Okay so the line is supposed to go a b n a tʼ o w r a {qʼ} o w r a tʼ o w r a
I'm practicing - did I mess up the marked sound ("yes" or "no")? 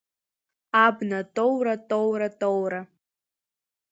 yes